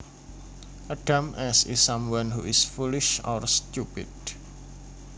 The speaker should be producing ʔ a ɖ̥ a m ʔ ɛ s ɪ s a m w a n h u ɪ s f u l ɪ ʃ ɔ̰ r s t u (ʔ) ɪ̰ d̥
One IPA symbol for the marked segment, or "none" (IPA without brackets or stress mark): p